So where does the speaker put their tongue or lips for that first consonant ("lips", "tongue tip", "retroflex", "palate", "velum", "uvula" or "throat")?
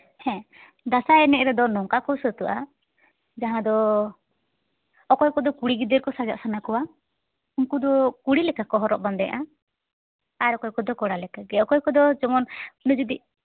throat